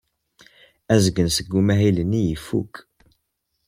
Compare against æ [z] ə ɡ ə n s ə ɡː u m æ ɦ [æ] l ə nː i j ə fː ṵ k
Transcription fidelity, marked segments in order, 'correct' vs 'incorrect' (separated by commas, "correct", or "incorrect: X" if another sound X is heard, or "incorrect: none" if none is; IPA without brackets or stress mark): correct, incorrect: i